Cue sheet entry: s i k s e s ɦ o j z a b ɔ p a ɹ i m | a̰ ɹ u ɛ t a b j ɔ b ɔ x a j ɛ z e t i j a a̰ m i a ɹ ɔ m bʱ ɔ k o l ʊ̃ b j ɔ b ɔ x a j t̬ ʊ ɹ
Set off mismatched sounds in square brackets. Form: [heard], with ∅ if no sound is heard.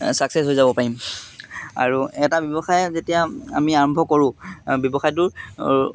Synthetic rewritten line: s [a] k s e s ɦ o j z a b ɔ p a ɹ i m | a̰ ɹ u ɛ t a b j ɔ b ɔ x a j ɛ z e t i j a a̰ m i a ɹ ɔ m bʱ ɔ k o [ɹ] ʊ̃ b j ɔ b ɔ x a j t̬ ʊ ɹ